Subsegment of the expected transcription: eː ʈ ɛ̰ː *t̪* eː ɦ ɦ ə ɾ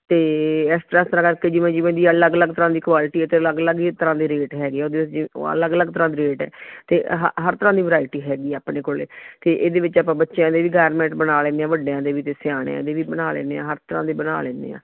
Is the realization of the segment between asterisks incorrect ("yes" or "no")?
no